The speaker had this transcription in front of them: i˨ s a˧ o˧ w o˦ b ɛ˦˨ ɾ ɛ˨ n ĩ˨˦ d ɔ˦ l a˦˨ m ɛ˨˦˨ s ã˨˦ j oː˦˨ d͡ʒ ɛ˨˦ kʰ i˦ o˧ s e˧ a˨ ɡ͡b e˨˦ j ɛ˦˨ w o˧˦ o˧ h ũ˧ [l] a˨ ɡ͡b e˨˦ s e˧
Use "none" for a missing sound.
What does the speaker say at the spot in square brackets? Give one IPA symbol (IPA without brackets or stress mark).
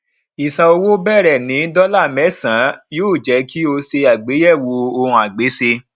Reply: none